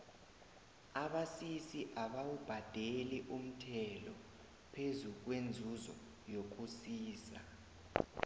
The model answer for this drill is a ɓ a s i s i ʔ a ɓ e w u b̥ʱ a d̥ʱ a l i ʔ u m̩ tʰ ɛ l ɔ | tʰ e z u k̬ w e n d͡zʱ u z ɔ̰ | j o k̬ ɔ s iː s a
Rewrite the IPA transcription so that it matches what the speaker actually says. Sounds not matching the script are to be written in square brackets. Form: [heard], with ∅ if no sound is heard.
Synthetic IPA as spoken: a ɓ a s i s i ʔ a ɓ [a] w u b̥ʱ a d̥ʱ [e] l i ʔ u m̩ tʰ ɛ l ɔ | [pʰ] e z u k̬ w e n d͡zʱ u z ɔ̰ | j o k̬ [u] s iː s a